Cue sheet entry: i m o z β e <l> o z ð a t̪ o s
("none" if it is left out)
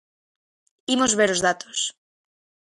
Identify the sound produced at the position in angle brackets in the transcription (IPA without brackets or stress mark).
ɾ